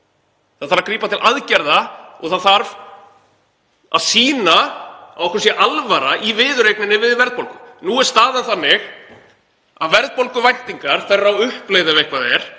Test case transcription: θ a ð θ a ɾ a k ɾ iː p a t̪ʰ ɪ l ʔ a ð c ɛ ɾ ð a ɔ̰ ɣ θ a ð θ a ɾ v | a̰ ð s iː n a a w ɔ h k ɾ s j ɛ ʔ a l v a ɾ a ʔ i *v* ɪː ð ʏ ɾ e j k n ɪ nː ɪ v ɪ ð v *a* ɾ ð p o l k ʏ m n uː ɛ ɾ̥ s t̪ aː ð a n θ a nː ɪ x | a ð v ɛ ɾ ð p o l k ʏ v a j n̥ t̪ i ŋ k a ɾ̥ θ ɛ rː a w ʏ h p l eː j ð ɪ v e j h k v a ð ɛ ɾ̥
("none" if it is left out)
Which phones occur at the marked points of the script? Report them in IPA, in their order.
v, ɛ

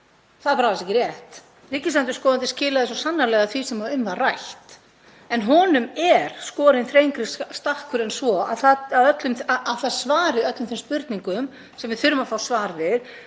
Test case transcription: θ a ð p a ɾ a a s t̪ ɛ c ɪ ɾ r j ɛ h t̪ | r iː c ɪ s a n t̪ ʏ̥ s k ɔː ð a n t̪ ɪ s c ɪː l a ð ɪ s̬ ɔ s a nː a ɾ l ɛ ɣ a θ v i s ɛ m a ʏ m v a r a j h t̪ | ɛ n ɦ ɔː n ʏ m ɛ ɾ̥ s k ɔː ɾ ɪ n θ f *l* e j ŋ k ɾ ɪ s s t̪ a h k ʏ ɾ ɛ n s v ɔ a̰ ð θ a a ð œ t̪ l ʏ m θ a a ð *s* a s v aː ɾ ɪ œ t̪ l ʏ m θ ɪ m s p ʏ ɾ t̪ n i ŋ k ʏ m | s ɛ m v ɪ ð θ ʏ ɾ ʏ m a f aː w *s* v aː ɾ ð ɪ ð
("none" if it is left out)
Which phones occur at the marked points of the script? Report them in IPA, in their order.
ɾ, θ, s

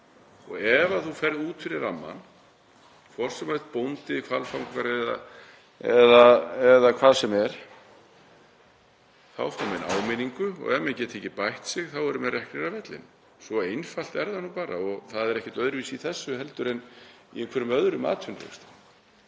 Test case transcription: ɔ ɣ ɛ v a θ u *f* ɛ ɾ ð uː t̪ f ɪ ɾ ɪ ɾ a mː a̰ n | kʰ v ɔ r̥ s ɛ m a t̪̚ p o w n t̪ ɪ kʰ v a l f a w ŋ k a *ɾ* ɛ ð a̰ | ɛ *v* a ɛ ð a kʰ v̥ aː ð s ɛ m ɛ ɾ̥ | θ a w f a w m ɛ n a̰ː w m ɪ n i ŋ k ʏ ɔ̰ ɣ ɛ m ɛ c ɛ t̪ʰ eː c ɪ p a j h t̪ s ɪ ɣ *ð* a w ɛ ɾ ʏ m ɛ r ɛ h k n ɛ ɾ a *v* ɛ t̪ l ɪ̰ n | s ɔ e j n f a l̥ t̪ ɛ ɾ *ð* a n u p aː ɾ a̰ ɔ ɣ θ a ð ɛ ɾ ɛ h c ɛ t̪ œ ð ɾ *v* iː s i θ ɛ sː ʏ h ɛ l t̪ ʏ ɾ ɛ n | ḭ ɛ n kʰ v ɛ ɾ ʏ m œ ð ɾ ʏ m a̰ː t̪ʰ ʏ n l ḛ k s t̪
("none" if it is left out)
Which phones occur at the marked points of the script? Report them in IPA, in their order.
f, ɾ, ð, θ, v, ð, v

